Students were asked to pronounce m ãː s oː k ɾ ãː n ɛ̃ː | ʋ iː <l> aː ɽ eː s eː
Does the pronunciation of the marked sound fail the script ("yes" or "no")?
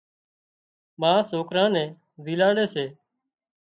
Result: no